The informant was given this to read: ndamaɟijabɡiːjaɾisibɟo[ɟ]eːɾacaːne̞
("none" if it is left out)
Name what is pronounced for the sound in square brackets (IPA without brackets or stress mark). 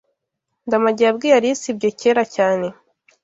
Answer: c